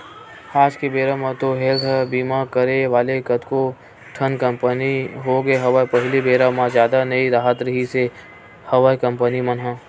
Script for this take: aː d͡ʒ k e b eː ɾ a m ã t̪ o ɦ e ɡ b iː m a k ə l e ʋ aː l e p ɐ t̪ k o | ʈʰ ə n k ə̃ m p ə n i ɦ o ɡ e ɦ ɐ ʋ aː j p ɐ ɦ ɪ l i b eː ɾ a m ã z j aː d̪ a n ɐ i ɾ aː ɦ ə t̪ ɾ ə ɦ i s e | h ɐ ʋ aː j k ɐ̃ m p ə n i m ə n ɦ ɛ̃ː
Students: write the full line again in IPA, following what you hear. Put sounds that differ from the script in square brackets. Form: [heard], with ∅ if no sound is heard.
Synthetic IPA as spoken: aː d͡ʒ k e b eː ɾ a m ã t̪ o ɦ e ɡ b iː m a k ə [ɾ] e ʋ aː l e [k] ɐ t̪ k o | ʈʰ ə n k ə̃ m p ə n i ɦ o ɡ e ɦ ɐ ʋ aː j p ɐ ɦ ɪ l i b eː ɾ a m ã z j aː d̪ a n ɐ i ɾ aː ɦ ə t̪ ɾ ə ɦ i s e | h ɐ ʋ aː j k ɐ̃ m p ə n i m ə n ɦ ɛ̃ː